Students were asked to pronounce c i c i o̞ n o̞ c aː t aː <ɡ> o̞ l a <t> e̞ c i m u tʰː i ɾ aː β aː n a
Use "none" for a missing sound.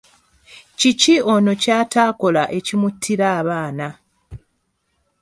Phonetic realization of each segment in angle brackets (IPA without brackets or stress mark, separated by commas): k, ʔ